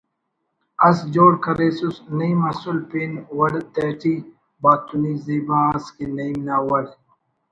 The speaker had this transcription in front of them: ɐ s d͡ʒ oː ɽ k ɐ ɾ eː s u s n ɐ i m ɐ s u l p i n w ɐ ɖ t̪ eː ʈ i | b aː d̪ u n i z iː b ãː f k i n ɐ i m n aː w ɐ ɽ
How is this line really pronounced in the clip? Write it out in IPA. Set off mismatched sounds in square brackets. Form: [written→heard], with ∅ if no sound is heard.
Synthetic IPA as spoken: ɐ s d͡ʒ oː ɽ k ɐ ɾ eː s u s n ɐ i m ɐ s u l p i n w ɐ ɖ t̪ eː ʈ i | b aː [d̪→t̪] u n i z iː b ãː [f→s] k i n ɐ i m n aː w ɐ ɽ